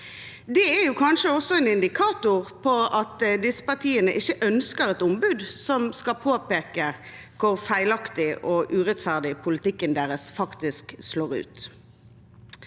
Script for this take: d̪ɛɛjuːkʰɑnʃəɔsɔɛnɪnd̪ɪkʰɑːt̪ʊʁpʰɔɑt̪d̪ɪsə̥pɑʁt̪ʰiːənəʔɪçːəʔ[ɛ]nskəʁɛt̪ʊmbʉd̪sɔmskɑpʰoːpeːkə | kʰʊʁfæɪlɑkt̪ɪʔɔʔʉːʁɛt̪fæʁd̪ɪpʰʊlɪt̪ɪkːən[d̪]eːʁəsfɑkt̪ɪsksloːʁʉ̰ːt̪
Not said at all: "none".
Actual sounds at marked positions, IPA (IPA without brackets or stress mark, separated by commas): œ, d̪